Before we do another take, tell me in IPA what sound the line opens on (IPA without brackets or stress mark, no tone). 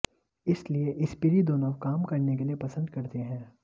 ɪ